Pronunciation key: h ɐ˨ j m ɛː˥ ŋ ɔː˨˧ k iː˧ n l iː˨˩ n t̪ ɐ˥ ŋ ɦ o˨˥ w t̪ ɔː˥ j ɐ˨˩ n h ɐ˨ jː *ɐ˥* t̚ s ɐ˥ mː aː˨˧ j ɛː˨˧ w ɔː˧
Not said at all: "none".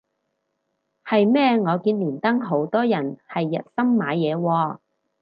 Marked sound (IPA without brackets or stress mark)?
ɐ˨